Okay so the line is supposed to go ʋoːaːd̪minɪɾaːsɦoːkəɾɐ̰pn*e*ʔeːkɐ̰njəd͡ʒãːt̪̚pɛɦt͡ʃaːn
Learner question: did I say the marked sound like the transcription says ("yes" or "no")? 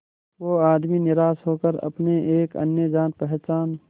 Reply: yes